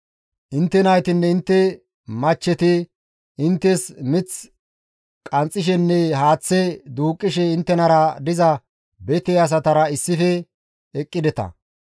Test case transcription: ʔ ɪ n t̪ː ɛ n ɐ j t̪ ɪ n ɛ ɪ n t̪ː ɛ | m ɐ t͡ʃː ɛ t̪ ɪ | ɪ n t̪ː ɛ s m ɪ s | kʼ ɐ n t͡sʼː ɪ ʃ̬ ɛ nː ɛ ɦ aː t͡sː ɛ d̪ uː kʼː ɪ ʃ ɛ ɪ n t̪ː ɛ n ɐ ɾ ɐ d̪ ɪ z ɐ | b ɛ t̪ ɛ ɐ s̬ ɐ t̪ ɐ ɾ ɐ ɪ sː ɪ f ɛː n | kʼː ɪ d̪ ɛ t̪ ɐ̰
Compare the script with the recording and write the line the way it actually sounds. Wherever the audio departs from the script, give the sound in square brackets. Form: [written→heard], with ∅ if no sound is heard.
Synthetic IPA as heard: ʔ ɪ n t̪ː ɛ n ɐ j t̪ ɪ [n→nː] ɛ ɪ n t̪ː ɛ | m ɐ t͡ʃː ɛ t̪ ɪ | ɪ n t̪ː ɛ s m ɪ [s→t͡s] | kʼ ɐ n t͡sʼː ɪ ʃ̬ ɛ nː ɛ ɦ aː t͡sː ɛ d̪ uː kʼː ɪ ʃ ɛ ɪ n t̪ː ɛ n ɐ ɾ ɐ d̪ ɪ z ɐ | b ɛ t̪ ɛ ɐ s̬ ɐ t̪ ɐ ɾ ɐ ɪ sː ɪ f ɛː [n→∅] | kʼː ɪ d̪ ɛ t̪ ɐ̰